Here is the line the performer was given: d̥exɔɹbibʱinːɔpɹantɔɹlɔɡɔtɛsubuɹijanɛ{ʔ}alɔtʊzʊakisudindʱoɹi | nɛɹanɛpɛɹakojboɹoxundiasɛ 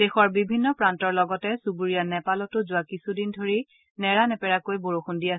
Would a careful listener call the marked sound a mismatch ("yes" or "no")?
yes